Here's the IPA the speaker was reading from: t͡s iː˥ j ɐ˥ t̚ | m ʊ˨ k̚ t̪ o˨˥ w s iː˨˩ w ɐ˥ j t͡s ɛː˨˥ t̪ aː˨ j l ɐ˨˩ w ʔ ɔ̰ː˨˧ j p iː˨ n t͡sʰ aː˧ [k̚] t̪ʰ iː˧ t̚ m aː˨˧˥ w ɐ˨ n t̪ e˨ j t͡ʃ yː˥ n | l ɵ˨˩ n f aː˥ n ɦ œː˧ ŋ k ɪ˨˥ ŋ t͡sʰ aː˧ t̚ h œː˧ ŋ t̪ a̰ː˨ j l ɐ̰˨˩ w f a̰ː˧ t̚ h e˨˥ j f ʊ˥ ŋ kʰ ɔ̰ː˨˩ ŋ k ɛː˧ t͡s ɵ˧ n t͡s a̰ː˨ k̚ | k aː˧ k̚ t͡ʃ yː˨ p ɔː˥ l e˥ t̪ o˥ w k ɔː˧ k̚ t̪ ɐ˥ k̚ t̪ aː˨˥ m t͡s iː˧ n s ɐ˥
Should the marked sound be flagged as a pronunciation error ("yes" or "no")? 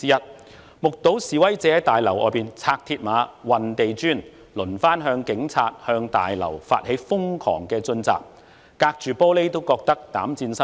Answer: no